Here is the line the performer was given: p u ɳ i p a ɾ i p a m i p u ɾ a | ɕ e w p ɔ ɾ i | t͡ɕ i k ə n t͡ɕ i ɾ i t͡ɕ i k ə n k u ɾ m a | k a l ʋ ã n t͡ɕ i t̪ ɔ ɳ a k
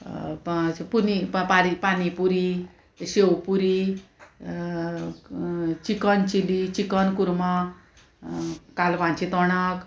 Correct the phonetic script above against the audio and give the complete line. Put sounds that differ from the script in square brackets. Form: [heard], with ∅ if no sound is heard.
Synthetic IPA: p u [n] i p a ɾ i p a [n] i p u ɾ [i] | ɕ e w p [u] ɾ i | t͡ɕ i k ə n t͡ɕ i [l] i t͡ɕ i k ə n k u ɾ m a | k a l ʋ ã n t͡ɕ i t̪ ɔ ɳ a k

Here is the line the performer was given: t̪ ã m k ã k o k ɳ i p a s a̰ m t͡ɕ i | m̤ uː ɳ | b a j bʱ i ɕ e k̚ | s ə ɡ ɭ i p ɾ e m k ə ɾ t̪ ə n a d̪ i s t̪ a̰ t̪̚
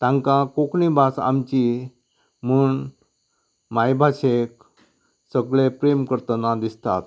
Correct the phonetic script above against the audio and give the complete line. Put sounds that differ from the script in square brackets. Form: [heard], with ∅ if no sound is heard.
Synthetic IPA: t̪ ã [ŋ] k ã k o k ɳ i [b] a s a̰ m t͡ɕ i | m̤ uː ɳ | [m] a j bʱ [a] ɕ e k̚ | s ə ɡ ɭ [e] p ɾ e m k ə ɾ t̪ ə n a d̪ i s t̪ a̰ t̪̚

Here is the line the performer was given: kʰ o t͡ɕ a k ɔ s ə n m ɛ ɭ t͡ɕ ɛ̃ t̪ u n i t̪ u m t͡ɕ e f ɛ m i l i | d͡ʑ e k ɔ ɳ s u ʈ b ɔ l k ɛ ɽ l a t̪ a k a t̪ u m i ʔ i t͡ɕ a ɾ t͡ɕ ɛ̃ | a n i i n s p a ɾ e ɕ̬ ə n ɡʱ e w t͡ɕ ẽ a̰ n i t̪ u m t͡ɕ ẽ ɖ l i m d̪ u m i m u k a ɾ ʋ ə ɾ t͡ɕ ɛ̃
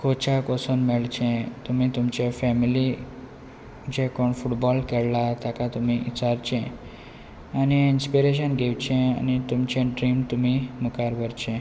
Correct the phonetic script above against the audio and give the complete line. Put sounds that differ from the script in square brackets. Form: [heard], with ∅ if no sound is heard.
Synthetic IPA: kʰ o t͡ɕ a k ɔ s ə n m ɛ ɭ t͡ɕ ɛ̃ t̪ u [m] i t̪ u m t͡ɕ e f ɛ m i l i | d͡ʑ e k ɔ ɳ [f] u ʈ b ɔ l k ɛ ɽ l a t̪ a k a t̪ u m i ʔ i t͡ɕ a ɾ t͡ɕ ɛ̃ | a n i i n s p [i] ɾ e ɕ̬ ə n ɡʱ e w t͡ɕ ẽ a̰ n i t̪ u m t͡ɕ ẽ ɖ [ɾ] i m [t̪] u m i m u k a ɾ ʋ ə ɾ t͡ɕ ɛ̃

